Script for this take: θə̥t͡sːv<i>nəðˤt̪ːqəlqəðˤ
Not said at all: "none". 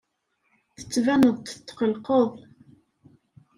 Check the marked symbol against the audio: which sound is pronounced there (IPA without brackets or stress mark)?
æ